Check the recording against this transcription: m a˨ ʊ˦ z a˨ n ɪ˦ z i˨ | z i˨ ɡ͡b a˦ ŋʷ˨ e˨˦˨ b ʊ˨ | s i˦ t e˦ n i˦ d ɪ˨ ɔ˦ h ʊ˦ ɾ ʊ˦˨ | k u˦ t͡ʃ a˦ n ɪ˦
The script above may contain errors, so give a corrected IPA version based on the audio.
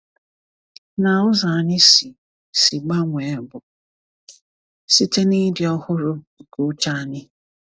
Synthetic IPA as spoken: n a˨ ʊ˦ z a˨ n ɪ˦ s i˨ | s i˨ ɡ͡b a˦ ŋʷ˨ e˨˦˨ b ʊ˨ | s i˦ t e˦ n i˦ d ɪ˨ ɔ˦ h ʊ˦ ɾ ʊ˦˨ | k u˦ t͡ʃ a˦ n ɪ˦